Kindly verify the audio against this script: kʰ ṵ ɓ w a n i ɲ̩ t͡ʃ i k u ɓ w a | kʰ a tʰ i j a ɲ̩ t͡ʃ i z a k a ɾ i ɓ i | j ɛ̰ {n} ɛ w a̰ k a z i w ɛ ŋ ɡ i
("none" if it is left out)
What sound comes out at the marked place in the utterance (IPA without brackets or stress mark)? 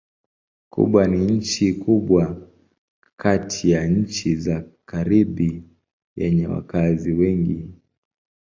ɲ